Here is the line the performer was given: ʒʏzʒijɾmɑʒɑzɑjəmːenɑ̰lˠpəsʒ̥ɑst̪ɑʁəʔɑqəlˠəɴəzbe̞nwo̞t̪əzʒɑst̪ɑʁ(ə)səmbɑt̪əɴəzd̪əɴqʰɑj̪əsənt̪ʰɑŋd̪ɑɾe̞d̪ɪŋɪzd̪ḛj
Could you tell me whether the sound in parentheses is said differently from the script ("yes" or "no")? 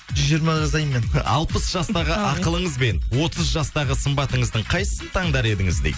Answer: no